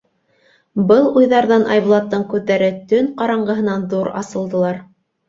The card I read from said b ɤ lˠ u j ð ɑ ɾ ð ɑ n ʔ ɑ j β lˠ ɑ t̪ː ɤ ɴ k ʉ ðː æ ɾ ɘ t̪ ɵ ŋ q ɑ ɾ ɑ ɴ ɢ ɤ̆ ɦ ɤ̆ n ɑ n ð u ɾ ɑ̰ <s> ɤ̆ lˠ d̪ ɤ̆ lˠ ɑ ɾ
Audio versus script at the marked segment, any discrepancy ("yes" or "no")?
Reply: no